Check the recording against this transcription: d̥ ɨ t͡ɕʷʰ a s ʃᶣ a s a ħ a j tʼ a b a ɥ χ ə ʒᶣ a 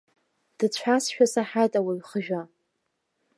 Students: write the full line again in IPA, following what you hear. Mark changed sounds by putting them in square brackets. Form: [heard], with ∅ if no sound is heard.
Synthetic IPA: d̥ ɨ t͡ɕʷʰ a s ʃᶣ a s a ħ a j tʼ a [w] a ɥ χ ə ʒᶣ a